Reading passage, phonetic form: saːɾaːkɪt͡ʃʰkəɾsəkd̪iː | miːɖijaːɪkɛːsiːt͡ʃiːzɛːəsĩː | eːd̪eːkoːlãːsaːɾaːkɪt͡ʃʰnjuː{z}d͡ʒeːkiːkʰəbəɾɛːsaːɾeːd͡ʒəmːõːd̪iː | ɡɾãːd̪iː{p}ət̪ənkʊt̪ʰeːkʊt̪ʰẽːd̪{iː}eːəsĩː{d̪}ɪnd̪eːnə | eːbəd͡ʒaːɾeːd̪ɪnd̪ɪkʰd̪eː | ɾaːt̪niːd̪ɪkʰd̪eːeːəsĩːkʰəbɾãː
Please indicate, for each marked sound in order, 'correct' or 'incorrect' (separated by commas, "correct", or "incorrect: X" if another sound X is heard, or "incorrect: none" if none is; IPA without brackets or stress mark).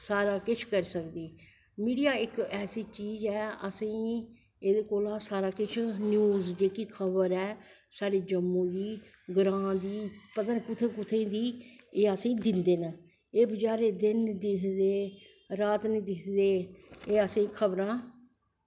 correct, correct, correct, correct